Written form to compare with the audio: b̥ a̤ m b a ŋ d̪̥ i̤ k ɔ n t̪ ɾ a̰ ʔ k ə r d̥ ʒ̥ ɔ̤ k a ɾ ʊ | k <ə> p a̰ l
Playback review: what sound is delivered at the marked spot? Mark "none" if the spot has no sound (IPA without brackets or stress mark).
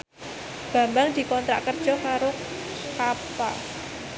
a